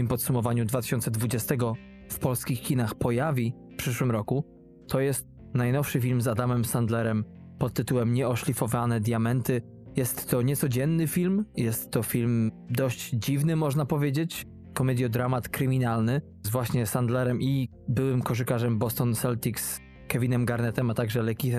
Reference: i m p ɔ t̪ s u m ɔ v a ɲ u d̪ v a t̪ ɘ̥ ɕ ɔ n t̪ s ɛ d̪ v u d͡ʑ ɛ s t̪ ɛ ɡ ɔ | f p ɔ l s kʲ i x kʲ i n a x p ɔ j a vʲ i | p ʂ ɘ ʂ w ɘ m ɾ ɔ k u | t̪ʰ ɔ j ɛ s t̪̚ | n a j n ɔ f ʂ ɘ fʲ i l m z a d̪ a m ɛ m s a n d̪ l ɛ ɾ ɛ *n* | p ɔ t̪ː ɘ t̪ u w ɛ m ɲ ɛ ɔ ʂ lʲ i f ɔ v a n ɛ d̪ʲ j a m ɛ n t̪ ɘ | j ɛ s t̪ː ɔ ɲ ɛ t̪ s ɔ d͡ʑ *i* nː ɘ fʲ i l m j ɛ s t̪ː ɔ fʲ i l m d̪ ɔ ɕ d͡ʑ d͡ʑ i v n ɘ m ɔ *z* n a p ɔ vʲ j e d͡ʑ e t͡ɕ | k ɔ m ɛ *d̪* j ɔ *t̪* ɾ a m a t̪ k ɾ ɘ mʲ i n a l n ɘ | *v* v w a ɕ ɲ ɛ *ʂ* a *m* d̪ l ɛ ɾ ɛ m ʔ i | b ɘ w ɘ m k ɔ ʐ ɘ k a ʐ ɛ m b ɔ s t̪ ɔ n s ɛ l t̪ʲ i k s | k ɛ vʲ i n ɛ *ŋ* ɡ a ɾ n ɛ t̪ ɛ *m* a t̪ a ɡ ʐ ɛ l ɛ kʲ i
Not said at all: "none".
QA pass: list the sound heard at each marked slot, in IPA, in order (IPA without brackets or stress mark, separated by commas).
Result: m, ɛ, ʐ, d̪, d̪, z, s, n, m, m